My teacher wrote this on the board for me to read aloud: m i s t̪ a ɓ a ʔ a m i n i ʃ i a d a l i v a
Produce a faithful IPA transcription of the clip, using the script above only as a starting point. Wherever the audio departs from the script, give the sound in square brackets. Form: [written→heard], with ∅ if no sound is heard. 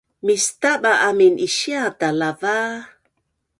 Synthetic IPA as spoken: m i s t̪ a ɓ a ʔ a m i n i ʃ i a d a l [i→a] v a